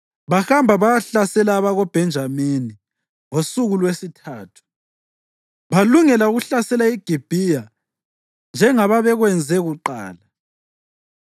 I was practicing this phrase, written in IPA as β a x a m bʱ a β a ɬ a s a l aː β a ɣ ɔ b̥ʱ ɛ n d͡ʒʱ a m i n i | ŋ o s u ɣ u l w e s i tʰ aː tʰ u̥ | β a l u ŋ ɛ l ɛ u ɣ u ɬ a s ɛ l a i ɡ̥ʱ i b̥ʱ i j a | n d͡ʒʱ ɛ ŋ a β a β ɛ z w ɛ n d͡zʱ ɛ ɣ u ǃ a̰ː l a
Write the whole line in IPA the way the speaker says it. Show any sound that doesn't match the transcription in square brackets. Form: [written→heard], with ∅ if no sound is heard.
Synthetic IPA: β a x a m bʱ a β a ɬ a s [a→ɛ] l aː β a ɣ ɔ b̥ʱ ɛ n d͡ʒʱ a m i n i | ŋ o s u ɣ u l w e s i tʰ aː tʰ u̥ | β a l u ŋ ɛ l [ɛ→a] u ɣ u ɬ a s ɛ l a i ɡ̥ʱ i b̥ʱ i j a | n d͡ʒʱ ɛ ŋ a β a β ɛ [z→ɣ] w ɛ n d͡zʱ ɛ ɣ u ǃ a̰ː l a